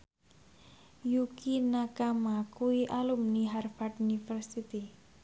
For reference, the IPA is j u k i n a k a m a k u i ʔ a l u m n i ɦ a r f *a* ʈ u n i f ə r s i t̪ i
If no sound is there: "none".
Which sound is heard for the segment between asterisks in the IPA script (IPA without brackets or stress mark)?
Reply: a